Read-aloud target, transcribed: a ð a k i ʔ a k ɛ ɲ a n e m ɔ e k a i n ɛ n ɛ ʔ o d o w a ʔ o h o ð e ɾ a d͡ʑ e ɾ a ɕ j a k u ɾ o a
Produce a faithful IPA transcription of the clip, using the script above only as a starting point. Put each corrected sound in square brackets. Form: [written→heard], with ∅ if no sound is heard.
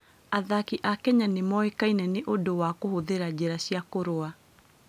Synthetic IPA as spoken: a ð a k i ʔ a k ɛ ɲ a n e m ɔ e k a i n ɛ n [ɛ→e] ʔ o d o w a [ʔ→k] o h o ð e ɾ a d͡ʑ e ɾ a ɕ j a k [u→o] ɾ o a

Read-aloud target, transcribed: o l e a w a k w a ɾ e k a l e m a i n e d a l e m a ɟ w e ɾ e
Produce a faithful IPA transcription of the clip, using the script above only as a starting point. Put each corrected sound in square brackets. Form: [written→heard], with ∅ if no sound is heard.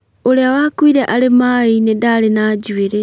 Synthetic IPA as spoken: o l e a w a k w [a→i] ɾ e [k→ʔ] a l e m a i n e d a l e [m→n] a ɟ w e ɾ e

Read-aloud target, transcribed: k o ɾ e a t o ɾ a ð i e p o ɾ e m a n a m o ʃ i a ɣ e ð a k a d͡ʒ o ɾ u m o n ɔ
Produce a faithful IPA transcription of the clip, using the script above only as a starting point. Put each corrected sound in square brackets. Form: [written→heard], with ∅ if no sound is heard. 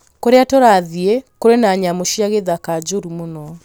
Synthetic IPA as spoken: k o ɾ e a t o ɾ a ð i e [p→k] o ɾ e [m→n] a [n→ɲ] a m o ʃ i a ɣ e ð a k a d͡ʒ o ɾ u m o n ɔ

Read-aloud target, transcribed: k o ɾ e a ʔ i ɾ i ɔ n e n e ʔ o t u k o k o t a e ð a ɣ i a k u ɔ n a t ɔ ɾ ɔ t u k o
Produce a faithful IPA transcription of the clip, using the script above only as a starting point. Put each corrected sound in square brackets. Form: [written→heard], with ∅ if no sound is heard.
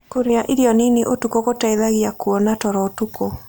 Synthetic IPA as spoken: k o ɾ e a ʔ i ɾ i ɔ n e n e ʔ o t u k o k o t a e ð a ɣ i a k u ɔ n a t ɔ ɾ ɔ t u k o

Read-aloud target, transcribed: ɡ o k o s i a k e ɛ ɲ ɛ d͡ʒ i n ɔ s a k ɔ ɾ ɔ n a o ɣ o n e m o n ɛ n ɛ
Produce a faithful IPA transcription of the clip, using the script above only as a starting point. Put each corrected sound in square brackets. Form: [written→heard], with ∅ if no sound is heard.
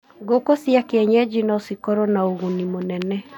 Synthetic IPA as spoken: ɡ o k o s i a k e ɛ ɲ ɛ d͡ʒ i n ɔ s [a→i] k ɔ ɾ ɔ n a o ɣ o n [e→i] m o n ɛ n ɛ

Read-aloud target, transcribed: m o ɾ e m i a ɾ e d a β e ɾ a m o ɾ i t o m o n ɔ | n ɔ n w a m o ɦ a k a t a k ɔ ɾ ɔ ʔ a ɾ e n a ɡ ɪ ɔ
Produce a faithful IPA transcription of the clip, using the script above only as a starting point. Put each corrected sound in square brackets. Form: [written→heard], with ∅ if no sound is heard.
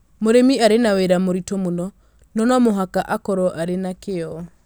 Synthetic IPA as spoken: m o ɾ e m i a ɾ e [d→n] a [β→w] e ɾ a m o ɾ i t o m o n ɔ | n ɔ n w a m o ɦ a k a [t→ʔ] a k ɔ ɾ ɔ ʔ a ɾ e n a [ɡ→k] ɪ ɔ

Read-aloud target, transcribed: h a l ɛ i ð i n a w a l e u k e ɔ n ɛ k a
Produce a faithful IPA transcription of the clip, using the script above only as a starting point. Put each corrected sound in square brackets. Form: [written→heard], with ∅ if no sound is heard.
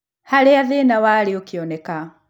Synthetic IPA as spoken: h a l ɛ [i→a] ð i n a w a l [e→i] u k [e→i] ɔ n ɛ k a

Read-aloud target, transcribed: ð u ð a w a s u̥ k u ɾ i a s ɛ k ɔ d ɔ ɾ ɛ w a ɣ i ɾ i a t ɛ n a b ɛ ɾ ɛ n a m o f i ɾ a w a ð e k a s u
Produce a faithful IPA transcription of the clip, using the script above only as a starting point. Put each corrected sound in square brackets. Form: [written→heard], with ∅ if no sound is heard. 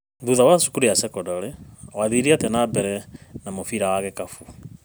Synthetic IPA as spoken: ð u ð a w a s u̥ k u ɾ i a s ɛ k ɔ d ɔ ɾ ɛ w a [ɣ→ð] i ɾ i a t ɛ n a b ɛ ɾ ɛ n a m o f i ɾ a w a [ð→ɣ] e k a [s→f] u

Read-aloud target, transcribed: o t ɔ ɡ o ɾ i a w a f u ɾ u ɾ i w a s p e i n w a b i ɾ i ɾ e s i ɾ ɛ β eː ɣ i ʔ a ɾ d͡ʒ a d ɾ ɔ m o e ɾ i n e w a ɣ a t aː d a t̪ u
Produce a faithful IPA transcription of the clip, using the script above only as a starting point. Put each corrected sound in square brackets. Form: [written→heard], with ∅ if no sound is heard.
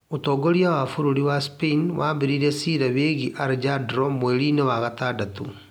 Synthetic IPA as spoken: o t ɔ ɡ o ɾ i a w a f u ɾ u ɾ i w a s p e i n w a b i ɾ i ɾ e s i ɾ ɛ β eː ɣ i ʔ a ɾ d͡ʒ a d ɾ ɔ m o e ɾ i n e w a ɣ a t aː d a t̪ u

